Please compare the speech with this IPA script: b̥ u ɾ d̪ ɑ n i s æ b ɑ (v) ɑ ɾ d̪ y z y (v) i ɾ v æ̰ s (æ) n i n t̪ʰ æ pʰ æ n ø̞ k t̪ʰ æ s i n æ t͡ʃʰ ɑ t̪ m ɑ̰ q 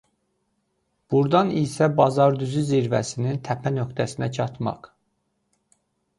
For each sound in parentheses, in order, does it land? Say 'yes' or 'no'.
no, no, no

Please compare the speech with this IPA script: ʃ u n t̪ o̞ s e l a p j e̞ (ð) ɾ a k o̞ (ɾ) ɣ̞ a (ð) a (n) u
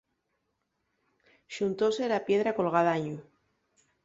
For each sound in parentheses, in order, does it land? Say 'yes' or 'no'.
yes, no, yes, no

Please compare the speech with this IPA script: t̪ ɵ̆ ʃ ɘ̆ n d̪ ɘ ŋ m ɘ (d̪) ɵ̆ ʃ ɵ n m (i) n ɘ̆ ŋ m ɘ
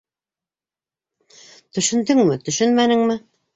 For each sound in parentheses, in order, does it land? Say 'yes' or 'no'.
no, no

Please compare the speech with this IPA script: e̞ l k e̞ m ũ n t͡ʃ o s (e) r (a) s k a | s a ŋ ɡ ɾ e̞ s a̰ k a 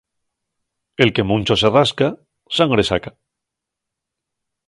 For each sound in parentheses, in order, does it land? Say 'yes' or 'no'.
yes, yes

